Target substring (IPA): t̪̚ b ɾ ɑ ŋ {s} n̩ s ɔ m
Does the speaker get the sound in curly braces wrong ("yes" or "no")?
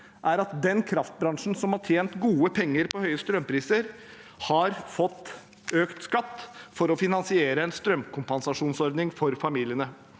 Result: yes